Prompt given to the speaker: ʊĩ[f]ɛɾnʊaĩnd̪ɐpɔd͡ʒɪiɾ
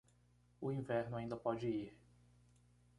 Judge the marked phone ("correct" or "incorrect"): incorrect